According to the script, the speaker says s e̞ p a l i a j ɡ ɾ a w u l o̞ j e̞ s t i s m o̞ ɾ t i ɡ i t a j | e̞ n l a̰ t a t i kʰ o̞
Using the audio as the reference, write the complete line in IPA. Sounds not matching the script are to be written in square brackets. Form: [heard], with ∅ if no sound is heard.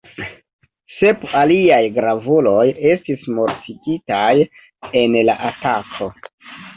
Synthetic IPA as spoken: s e̞ p a l i a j ɡ ɾ a [v] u l o̞ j e̞ s t i s m o̞ ɾ t i ɡ i t a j | e̞ n l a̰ [ʔ] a t [a] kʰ o̞